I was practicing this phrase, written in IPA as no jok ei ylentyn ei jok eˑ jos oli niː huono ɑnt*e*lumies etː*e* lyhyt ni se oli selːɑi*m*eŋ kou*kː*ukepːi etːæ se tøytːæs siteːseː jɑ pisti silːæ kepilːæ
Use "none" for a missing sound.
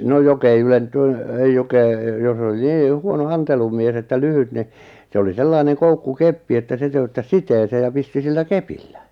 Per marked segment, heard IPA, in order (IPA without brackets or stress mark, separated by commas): e, æ, n, kː